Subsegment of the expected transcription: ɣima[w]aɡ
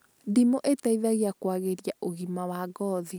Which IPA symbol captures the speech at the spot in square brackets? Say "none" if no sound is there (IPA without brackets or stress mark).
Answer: w